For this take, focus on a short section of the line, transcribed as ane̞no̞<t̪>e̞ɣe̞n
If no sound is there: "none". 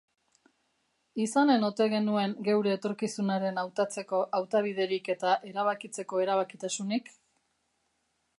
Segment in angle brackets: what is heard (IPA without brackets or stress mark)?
t̪